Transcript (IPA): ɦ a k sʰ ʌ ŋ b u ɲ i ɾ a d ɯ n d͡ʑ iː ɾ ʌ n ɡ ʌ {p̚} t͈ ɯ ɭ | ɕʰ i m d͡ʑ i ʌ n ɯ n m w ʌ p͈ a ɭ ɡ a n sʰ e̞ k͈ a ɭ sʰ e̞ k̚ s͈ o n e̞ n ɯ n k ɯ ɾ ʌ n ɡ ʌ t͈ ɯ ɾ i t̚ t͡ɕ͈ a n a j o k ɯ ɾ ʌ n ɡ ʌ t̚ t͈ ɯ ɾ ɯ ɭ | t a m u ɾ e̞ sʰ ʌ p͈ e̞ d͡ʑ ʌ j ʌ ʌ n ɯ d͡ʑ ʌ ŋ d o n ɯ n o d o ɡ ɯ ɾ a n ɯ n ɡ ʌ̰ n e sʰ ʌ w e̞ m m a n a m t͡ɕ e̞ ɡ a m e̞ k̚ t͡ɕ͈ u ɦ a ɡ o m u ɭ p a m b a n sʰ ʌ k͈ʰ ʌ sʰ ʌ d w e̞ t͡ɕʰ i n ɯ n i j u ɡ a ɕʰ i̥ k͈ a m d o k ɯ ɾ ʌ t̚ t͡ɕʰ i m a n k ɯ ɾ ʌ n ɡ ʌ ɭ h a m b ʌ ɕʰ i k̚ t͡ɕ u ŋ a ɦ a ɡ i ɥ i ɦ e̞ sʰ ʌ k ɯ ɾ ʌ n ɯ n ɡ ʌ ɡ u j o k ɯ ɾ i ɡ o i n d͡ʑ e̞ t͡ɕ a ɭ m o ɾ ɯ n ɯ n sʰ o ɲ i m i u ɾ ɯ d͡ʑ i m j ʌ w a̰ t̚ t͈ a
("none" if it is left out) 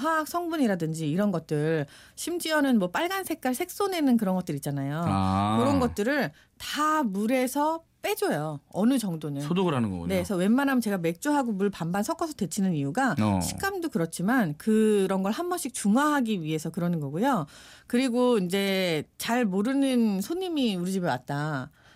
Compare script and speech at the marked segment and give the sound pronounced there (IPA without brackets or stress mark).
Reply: t̚